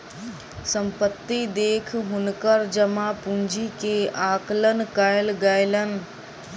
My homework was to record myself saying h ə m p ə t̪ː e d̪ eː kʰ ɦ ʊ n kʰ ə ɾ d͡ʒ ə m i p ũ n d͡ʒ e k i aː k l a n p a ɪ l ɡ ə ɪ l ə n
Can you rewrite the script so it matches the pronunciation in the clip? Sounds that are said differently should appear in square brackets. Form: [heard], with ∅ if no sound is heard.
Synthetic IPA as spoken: [s] ə m p ə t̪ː [i] d̪ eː kʰ ɦ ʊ n [k] ə ɾ d͡ʒ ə m [a] p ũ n d͡ʒ [i] k [e] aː k l [ə] n [k] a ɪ l ɡ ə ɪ l ə n